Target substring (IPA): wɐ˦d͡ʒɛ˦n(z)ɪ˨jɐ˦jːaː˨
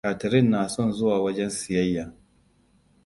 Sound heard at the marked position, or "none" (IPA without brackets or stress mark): s